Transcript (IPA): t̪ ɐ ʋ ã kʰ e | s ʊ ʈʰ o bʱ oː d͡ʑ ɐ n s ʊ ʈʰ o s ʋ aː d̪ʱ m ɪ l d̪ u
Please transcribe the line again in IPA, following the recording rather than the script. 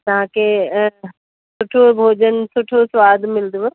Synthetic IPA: t̪ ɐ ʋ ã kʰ e | s ʊ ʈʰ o bʱ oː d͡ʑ ə n s ʊ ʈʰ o s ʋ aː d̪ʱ m ɪ l d̪ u

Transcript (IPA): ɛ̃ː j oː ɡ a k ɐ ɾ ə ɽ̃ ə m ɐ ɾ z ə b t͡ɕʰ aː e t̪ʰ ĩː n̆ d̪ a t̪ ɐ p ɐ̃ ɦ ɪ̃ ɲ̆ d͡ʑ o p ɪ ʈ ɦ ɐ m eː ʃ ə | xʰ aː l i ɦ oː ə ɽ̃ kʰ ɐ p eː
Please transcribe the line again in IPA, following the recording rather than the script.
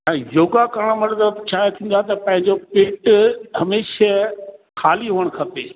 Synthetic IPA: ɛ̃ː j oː ɡ a k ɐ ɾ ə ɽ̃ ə m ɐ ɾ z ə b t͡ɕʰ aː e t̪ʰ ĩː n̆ d̪ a t̪ ɐ p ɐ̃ ɦ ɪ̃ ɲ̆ d͡ʑ o p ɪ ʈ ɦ ɐ m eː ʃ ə | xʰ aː l i ɦ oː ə ɽ̃ kʰ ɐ p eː

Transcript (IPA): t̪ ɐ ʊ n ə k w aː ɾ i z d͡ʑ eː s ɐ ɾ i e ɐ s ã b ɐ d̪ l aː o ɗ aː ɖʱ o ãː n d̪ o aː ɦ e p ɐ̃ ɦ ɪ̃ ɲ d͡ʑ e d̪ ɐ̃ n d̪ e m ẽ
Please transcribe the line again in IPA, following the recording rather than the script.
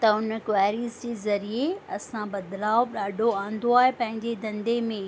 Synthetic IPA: t̪ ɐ ʊ n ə k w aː ɾ i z d͡ʑ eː z ɐ ɾ i e ɐ s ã b ɐ d̪ l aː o ɗ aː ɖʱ o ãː n d̪ o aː ɦ e p ɐ̃ ɦ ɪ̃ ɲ d͡ʑ e d̪ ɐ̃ n d̪ e m ẽ

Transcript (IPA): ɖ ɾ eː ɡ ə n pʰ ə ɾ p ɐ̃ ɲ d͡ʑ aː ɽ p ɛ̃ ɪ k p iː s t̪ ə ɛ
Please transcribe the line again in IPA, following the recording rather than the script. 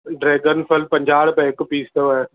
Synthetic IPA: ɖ ɾ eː ɡ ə n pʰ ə l p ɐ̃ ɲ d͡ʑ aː ɽ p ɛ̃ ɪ k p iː s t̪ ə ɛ

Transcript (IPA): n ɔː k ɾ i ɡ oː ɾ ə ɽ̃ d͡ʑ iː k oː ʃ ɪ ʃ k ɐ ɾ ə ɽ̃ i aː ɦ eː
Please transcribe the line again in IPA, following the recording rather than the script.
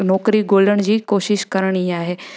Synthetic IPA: n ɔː k ɾ i ɡ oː l ə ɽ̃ d͡ʑ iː k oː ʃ ɪ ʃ k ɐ ɾ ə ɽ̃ i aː ɦ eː

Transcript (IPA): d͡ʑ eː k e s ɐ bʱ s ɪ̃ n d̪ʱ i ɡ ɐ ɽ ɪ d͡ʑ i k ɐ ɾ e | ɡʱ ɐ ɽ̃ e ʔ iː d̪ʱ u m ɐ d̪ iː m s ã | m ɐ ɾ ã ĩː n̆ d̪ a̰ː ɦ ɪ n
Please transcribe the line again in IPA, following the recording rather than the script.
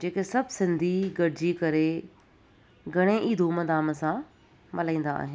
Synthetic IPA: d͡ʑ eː k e s ɐ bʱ s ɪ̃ n d̪ʱ i ɡ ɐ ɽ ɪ d͡ʑ i k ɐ ɾ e | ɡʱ ɐ ɽ̃ e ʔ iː d̪ʱ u m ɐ d̪ aː m s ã | m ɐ l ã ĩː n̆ d̪ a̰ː ɦ ɪ n

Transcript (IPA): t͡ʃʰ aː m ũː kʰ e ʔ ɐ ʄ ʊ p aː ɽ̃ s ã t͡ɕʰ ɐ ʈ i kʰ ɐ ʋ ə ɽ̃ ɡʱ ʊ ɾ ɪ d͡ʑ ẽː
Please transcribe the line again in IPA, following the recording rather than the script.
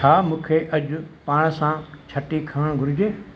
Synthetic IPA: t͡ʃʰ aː m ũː kʰ e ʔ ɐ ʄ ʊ p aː ɽ̃ s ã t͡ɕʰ ɐ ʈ i kʰ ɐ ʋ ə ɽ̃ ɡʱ ʊ ɾ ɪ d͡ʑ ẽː

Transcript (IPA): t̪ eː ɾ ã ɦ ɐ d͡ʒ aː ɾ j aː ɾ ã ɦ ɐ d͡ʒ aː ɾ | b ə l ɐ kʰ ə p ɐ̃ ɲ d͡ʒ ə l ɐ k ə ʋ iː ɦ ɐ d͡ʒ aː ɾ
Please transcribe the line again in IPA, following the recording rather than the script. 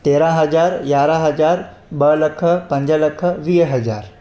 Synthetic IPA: t̪ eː ɾ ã ɦ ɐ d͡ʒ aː ɾ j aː ɾ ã ɦ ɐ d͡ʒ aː ɾ | b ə l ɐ kʰ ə p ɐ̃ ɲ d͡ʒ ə l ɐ kʰ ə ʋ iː ɦ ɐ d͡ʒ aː ɾ

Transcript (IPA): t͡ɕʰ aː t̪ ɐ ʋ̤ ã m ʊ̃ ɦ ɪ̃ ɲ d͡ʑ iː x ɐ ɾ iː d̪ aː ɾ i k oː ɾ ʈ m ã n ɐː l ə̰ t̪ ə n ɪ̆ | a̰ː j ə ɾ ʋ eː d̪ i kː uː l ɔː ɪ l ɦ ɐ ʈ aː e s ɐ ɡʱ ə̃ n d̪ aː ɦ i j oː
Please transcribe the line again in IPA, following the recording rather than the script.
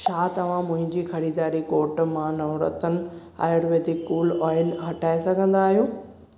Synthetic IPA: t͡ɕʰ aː t̪ ɐ ʋ̤ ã m ʊ̃ ɦ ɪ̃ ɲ d͡ʑ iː x ɐ ɾ iː d̪ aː ɾ i k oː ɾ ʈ m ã n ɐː ɾ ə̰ t̪ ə n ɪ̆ | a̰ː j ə ɾ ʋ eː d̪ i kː uː l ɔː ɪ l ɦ ɐ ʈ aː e s ɐ ɡʱ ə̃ n d̪ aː ɦ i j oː

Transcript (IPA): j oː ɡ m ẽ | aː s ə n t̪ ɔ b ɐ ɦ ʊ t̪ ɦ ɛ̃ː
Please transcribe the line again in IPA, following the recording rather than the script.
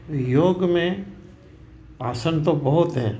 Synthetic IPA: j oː ɡ m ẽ | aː s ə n t̪ o b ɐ ɦ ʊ t̪ ɦ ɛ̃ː

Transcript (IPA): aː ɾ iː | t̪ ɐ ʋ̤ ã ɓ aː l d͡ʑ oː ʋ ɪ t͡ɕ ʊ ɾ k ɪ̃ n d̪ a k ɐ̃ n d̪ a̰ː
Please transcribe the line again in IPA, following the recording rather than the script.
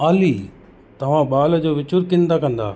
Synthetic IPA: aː l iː | t̪ ɐ ʋ̤ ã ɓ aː l d͡ʑ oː ʋ ɪ t͡ɕ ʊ ɾ k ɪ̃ n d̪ a k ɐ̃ n d̪ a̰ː

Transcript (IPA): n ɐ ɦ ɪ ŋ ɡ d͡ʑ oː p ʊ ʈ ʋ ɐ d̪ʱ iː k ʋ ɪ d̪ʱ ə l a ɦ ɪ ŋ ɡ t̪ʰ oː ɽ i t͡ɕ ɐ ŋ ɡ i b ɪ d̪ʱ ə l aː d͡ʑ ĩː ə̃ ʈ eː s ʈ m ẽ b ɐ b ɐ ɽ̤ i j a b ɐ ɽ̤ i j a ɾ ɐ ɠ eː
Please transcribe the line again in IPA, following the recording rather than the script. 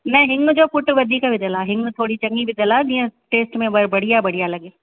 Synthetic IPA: n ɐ ɦ ɪ ŋ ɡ d͡ʑ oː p ʊ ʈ ʋ ɐ d̪ʱ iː k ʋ ɪ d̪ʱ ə l a ɦ ɪ ŋ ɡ t̪ʰ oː ɽ i t͡ɕ ɐ ŋ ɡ i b ɪ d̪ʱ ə l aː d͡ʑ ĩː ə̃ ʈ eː s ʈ m ẽ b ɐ b ɐ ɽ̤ i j a b ɐ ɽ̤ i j a l ɐ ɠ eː

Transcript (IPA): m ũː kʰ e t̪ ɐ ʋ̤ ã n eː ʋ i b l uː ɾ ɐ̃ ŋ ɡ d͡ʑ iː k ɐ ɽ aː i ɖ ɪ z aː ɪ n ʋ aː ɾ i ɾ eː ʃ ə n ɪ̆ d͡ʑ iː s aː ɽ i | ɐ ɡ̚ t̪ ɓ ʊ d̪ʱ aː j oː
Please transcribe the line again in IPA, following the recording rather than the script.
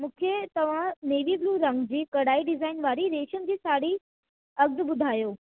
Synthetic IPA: m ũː kʰ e t̪ ɐ ʋ̤ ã n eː ʋ i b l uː ɾ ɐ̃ ŋ ɡ d͡ʑ iː k ɐ ɽ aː i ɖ ɪ z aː ɪ n ʋ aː ɾ i ɾ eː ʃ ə n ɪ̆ d͡ʑ iː s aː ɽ i | ɐ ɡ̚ d̪ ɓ ʊ d̪ʱ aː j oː

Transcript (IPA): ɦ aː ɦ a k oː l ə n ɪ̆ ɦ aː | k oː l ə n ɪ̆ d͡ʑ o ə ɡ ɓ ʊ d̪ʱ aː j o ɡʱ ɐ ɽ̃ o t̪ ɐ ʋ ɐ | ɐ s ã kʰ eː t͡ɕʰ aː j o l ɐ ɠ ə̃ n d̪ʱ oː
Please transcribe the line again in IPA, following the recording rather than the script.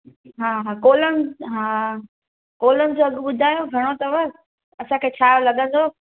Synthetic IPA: ɦ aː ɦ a k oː l ə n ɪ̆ ɦ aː | k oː l ə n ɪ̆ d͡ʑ o ɐ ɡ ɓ ʊ d̪ʱ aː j o ɡʱ ɐ ɽ̃ o t̪ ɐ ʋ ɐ | ɐ s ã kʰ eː t͡ɕʰ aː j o l ɐ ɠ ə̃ n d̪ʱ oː

